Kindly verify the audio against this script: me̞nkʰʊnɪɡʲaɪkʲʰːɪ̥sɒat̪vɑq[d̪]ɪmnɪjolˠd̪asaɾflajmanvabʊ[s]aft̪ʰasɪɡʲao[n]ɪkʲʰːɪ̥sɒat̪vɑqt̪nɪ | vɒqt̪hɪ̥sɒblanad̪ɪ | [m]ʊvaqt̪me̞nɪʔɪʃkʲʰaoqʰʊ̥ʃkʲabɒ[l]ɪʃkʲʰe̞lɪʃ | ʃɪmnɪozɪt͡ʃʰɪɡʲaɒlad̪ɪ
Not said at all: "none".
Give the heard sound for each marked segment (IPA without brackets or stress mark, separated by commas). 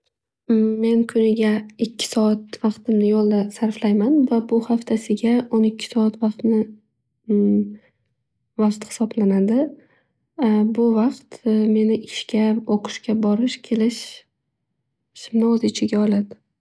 t̪, h, n, b, ɾ